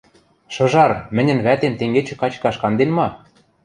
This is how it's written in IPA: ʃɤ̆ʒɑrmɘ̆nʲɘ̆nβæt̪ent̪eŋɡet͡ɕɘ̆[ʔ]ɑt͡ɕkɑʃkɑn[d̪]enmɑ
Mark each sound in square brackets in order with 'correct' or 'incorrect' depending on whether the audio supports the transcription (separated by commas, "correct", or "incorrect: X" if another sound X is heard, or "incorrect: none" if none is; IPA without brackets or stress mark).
incorrect: k, correct